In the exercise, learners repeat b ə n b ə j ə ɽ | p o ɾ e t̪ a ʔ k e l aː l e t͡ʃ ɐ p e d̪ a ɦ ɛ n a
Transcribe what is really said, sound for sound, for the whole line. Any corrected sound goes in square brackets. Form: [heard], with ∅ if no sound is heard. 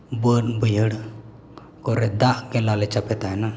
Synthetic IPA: b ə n b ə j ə ɽ | [k] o ɾ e [d̪] a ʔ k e l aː l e t͡ʃ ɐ p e [t̪] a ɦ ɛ n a